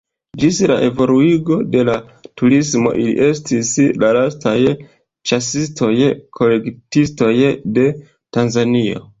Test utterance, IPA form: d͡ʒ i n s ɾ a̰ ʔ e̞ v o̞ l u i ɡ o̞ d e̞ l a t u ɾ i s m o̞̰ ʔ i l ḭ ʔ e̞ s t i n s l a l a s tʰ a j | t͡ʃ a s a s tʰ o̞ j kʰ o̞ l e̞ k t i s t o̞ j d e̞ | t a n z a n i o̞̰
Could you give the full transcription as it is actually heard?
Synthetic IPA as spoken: d͡ʒ i s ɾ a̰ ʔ e̞ v o̞ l u i ɡ o̞ d e̞ l a t u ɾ i s m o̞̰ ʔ i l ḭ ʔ e̞ s t i s l a l a s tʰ a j | t͡ʃ a s i s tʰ o̞ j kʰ o̞ l e̞ k t i s t o̞ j d e̞ | t a n z a n i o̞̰